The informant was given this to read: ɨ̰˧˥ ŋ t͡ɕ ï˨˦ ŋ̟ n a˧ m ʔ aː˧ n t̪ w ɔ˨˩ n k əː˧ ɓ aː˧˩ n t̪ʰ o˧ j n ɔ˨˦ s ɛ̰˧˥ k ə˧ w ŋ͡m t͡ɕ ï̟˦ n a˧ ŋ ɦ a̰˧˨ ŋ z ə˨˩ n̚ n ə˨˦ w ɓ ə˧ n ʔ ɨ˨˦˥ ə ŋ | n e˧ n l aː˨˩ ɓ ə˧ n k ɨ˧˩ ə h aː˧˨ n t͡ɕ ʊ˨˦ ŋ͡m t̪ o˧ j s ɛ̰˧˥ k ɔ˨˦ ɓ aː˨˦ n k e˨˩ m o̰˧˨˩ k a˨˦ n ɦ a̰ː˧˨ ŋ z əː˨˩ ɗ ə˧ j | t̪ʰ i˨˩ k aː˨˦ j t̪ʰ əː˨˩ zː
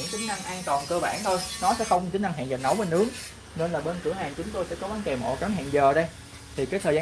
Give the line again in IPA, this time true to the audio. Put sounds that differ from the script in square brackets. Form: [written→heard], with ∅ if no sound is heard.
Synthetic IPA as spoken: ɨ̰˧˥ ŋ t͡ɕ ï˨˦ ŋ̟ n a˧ [m→ŋ] ʔ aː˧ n t̪ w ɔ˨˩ n k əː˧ ɓ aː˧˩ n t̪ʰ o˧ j n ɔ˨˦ s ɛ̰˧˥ [k→x] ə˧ w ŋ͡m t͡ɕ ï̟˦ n a˧ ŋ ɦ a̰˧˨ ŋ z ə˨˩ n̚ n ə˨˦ w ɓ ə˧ n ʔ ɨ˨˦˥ ə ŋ | n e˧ n l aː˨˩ ɓ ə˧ n k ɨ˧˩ ə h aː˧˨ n t͡ɕ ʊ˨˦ ŋ͡m t̪ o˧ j s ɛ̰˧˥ k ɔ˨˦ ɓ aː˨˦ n k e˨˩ m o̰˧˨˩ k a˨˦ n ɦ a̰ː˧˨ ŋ z əː˨˩ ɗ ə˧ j | t̪ʰ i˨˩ k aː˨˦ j t̪ʰ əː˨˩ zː